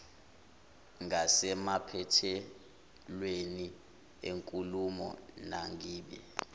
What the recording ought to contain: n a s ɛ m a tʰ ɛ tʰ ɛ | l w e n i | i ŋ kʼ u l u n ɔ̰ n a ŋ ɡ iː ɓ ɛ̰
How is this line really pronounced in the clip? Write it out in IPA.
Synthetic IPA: ŋ a s ɛ m a pʰ ɛ tʰ ɛ | l w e n i | e ŋ kʼ u l u m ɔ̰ n a ŋ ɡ iː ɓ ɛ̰